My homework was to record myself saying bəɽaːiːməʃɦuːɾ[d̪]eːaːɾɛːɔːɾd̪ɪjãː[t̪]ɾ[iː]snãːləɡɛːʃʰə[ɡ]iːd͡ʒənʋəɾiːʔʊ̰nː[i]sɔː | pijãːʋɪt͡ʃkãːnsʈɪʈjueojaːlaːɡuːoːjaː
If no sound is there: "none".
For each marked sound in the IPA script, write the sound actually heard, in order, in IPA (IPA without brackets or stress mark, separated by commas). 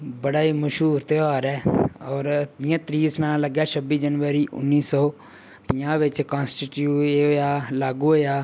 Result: t̪, t̪, iː, b, iː